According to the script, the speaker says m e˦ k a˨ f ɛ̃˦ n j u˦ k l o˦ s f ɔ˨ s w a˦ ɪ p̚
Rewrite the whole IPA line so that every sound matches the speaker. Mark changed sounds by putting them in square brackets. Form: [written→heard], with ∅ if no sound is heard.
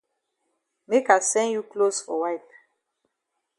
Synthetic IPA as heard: m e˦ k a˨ [f→s] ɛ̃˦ n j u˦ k l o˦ s f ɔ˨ [s→∅] w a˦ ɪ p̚